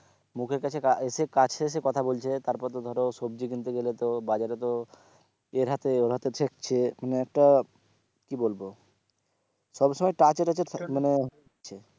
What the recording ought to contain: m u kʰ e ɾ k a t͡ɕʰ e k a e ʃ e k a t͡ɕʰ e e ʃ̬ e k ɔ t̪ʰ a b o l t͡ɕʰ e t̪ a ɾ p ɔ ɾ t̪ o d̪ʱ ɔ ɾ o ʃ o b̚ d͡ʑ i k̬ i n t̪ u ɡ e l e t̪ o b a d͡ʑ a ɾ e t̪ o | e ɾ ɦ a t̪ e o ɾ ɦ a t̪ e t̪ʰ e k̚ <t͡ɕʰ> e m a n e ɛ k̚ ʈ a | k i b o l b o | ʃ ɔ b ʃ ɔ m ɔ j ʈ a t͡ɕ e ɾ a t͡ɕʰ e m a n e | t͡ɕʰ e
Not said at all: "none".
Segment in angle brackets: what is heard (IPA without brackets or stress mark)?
t͡ɕʰ